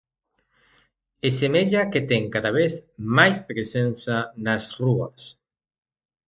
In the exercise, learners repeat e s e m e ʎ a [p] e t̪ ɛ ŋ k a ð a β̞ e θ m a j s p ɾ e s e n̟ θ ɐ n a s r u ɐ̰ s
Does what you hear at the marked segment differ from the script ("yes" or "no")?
yes